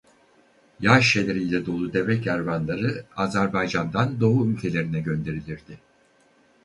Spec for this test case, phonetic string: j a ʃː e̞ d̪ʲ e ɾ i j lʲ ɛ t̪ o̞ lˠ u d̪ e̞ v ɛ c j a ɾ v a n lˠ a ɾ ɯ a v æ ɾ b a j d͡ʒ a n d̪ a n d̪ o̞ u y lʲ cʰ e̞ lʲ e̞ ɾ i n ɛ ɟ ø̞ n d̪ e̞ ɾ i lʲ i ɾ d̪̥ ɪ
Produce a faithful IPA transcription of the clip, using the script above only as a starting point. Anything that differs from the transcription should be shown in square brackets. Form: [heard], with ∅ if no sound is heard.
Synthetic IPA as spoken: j a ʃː e̞ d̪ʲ e ɾ i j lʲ ɛ [d̪] o̞ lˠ u d̪ e̞ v ɛ c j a ɾ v a n lˠ a ɾ ɯ a [z] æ ɾ b a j d͡ʒ a n d̪ a n d̪ o̞ u y lʲ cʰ e̞ lʲ e̞ ɾ i n ɛ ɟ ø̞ n d̪ e̞ ɾ i lʲ i ɾ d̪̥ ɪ

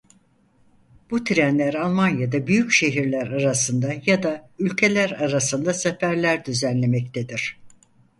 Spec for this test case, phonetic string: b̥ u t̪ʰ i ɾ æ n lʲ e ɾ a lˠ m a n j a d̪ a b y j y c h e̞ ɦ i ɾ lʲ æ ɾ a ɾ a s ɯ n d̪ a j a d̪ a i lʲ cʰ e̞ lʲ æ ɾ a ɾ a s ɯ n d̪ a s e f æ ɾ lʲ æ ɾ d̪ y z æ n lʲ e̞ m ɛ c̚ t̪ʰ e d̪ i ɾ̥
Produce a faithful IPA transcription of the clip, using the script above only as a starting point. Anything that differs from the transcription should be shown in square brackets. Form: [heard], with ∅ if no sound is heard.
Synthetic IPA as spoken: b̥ u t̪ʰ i ɾ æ n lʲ [æ] ɾ a lˠ m a n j a d̪ a b y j y c [ʃ] e̞ ɦ i ɾ lʲ æ ɾ a ɾ a s ɯ n d̪ a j a d̪ a [y] lʲ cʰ e̞ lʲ æ ɾ a ɾ a s ɯ n d̪ a s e f æ ɾ lʲ æ ɾ d̪ y z æ n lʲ e̞ m ɛ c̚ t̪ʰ e d̪ i ɾ̥

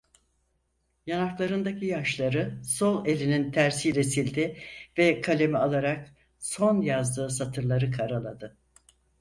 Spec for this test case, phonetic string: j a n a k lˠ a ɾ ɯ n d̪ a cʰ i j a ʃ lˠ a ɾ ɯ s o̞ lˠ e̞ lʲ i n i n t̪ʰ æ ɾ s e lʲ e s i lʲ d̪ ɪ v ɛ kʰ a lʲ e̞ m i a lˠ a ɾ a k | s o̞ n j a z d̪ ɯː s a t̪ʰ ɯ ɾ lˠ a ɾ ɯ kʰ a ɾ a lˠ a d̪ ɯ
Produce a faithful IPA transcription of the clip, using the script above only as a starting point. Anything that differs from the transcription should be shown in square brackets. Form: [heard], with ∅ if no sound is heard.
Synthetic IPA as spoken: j a n a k lˠ a ɾ ɯ n d̪ a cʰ i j a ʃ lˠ a ɾ ɯ s o̞ lˠ e̞ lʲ i n i n t̪ʰ æ ɾ s [i] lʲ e s i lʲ d̪ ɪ v ɛ kʰ a lʲ e̞ m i a lˠ a ɾ a k | s o̞ n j a z d̪ ɯː s a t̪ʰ ɯ ɾ lˠ a ɾ ɯ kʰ a ɾ a lˠ a d̪ ɯ

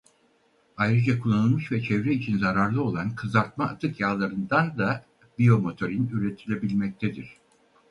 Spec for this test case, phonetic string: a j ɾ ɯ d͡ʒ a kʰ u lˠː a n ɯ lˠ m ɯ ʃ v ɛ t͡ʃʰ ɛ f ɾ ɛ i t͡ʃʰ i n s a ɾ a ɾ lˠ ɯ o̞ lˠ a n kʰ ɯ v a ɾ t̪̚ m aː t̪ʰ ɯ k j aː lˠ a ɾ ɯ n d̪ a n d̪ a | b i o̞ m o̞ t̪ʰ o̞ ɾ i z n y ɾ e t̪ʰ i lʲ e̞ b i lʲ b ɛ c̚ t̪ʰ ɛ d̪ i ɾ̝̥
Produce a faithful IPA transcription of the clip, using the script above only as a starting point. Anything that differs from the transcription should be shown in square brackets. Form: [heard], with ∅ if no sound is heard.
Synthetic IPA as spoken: a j ɾ ɯ d͡ʒ a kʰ u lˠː a n ɯ lˠ m ɯ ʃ v ɛ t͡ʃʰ ɛ [v] ɾ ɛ i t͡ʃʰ i n [z] a ɾ a ɾ lˠ ɯ o̞ lˠ a n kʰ ɯ [z] a ɾ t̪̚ m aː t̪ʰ ɯ k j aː lˠ a ɾ ɯ n d̪ a n d̪ a | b i o̞ m o̞ t̪ʰ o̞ ɾ i [∅] n y ɾ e t̪ʰ i lʲ e̞ b i lʲ [m] ɛ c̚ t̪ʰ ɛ d̪ i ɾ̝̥

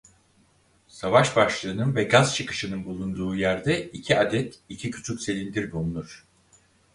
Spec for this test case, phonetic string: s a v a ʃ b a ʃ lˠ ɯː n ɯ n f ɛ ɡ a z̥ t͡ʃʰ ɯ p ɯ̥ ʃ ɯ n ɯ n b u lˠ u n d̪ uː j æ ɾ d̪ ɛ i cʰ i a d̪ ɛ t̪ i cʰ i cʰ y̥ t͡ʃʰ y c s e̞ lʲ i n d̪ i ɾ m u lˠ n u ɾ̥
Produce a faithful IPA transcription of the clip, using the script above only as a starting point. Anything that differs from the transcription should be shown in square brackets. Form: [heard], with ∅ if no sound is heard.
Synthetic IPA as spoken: s a v a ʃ b a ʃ lˠ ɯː n ɯ n [v] ɛ ɡ a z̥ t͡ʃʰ ɯ [k] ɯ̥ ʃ ɯ n ɯ n b u lˠ u n d̪ uː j æ ɾ d̪ ɛ i cʰ i a d̪ ɛ t̪ i cʰ i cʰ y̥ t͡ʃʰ y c s e̞ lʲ i n d̪ i ɾ [b] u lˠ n u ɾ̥

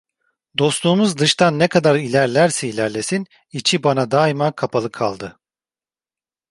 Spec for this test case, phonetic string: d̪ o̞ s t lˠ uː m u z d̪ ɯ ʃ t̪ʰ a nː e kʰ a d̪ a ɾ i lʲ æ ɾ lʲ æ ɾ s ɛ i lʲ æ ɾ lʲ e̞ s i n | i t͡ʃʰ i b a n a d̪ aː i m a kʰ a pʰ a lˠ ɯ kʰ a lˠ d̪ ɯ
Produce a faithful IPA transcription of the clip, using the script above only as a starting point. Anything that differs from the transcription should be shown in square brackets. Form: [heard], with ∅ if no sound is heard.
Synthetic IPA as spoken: d̪ o̞ s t lˠ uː m u z d̪ ɯ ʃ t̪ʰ a nː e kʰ a d̪ a ɾ i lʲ æ ɾ lʲ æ ɾ s ɛ i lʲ æ ɾ lʲ e̞ s i n | i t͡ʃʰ i b a n a d̪ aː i m a kʰ a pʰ a lˠ ɯ kʰ a lˠ d̪ ɯ

